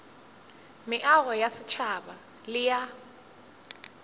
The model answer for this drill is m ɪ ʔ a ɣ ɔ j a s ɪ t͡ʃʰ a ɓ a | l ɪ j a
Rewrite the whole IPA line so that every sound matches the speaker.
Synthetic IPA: m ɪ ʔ a ɣ ɔ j a s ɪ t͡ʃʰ a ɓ a | l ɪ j a

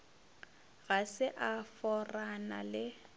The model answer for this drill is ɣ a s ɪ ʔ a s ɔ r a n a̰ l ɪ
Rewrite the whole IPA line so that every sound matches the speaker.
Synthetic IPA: ɣ a s ɪ ʔ a f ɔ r a n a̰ l ɪ

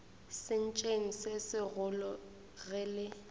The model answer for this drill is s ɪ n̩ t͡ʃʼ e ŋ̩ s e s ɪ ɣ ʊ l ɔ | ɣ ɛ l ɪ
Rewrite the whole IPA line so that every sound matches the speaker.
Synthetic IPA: s ɪ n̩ t͡ʃʼ e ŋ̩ s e s ɪ ɣ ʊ l ɔ | ɣ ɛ l ɪ

